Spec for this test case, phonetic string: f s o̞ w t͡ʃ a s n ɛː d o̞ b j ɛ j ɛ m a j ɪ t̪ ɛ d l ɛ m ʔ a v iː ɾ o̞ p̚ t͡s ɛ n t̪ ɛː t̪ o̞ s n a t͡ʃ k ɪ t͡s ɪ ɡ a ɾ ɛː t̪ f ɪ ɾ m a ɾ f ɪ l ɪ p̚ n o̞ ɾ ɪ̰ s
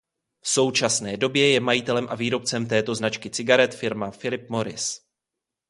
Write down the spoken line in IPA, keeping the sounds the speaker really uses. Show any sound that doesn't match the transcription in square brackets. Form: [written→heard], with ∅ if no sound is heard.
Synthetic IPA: f s o̞ w t͡ʃ a s n ɛː d o̞ b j ɛ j ɛ m a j ɪ t̪ ɛ [d→∅] l ɛ m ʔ a v iː ɾ o̞ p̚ t͡s ɛ [n→m] t̪ ɛː t̪ o̞ [s→z] n a t͡ʃ k ɪ t͡s ɪ ɡ a ɾ [ɛː→ɛ] t̪ f ɪ ɾ m a [ɾ→∅] f ɪ l ɪ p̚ [n→m] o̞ ɾ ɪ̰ s